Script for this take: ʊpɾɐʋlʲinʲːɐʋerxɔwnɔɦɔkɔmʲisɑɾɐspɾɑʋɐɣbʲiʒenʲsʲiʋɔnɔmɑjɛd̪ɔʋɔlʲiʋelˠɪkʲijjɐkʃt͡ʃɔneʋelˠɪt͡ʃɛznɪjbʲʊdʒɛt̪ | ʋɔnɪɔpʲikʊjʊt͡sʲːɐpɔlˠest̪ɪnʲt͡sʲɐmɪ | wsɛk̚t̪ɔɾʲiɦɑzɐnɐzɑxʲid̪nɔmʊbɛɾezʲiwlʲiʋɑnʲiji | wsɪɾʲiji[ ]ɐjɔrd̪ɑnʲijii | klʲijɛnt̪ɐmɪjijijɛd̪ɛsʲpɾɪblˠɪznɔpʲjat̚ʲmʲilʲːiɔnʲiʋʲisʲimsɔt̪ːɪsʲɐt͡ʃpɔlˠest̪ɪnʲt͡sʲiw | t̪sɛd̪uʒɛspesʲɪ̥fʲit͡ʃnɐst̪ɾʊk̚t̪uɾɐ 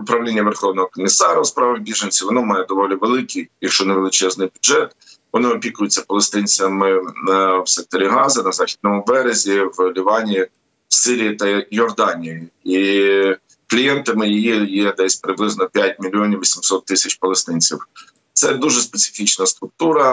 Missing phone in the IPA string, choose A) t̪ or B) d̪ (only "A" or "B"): A